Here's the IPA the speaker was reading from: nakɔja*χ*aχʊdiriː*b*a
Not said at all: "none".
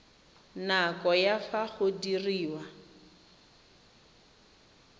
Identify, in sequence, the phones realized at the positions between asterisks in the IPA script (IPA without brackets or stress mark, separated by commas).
f, w